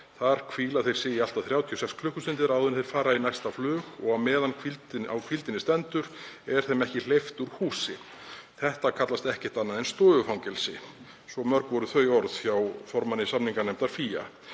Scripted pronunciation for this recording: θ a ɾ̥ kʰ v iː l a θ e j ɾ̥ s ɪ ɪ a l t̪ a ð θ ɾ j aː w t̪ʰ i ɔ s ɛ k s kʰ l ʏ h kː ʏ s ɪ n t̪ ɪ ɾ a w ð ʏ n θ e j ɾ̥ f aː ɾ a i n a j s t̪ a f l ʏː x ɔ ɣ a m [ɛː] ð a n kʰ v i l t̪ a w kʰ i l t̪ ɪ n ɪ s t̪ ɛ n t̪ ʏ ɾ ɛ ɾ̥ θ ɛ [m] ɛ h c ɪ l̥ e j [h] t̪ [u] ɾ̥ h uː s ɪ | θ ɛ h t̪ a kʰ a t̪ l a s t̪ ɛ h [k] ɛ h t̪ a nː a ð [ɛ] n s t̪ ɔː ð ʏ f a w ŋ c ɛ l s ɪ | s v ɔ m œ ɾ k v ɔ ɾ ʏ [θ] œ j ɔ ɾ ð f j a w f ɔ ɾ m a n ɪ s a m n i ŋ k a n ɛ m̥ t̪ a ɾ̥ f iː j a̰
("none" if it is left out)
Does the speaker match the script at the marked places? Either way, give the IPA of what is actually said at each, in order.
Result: ɛː, m, f, u, c, ɛ, θ

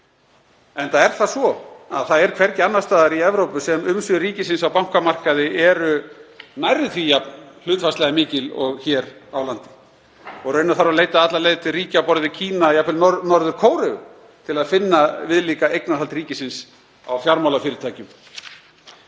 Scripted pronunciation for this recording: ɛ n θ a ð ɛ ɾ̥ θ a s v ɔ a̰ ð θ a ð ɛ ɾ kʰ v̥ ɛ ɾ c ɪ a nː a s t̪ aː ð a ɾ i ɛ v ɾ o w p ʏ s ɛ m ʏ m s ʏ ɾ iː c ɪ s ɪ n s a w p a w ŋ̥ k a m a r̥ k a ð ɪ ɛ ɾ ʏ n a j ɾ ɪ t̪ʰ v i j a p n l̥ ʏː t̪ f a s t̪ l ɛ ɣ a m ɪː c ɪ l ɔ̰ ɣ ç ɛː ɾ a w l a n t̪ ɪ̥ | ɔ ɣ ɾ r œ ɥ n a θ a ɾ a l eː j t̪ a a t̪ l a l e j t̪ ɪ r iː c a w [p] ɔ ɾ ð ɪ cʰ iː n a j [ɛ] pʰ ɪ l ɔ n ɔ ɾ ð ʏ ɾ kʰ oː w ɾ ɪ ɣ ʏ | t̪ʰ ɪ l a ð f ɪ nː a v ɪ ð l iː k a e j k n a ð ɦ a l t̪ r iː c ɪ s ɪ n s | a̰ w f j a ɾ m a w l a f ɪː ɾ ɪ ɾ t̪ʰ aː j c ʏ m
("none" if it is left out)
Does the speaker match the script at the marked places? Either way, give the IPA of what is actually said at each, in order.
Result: p, a

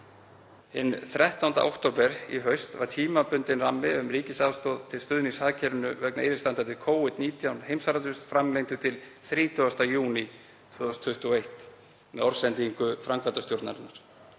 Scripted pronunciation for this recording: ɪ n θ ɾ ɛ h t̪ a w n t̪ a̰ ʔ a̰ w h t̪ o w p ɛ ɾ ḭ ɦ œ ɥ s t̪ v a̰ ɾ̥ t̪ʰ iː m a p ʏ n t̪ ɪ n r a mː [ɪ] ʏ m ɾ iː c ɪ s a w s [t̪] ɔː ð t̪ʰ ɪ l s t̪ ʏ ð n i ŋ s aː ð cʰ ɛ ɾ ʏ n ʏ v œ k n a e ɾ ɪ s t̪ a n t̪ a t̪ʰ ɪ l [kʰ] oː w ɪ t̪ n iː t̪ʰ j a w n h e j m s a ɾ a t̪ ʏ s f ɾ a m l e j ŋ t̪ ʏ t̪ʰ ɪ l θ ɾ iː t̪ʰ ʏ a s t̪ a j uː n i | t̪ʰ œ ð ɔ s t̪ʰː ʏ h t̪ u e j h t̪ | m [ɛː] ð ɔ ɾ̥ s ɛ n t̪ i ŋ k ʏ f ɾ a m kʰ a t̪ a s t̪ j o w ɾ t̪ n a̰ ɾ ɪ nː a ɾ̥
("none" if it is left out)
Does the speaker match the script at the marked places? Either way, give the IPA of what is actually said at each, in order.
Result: ɪ, t̪, kʰ, ɛ

